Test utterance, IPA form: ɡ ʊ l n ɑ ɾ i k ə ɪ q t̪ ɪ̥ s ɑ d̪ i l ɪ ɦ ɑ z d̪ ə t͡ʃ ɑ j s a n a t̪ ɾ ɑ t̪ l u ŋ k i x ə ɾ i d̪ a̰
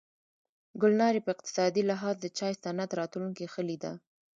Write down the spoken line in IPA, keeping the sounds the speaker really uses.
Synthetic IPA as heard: ɡ ʊ l n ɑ ɾ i p ə ɪ q t̪ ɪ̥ s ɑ d̪ i l ɪ ɦ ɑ z d̪ ə t͡ʃ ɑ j s a n a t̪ ɾ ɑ t̪ l u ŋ k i x ə l i d̪ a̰